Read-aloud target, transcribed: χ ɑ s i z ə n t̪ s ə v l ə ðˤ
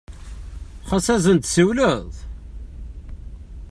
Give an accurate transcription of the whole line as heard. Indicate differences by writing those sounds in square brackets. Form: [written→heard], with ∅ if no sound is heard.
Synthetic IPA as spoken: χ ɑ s [i→æ] z ə n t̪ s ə [v→w] l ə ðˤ